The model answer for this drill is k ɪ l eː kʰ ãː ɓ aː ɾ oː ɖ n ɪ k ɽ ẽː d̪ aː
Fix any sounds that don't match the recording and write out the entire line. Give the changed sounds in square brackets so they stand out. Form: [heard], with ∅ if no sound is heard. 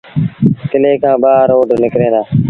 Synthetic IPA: k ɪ l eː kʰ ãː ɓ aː ɾ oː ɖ n ɪ k [ɾ] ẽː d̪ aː